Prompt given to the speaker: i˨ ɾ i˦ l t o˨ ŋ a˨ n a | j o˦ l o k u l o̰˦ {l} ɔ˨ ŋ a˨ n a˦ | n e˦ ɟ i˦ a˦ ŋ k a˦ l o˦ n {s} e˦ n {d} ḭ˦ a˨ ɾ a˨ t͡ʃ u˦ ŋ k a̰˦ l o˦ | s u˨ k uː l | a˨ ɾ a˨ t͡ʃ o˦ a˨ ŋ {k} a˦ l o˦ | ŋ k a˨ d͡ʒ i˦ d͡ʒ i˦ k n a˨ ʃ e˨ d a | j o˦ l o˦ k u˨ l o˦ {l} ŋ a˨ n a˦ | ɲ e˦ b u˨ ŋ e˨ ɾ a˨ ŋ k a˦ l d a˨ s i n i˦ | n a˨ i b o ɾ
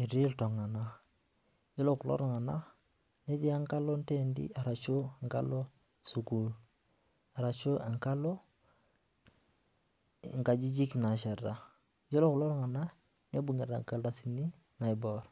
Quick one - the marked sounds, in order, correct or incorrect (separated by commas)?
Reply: incorrect, incorrect, correct, correct, incorrect